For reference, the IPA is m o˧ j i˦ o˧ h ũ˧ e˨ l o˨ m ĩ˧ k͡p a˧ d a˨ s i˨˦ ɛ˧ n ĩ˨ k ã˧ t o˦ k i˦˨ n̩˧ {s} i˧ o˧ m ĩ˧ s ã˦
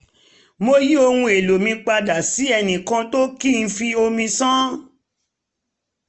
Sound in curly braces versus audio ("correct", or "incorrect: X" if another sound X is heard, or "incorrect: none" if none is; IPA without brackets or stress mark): incorrect: f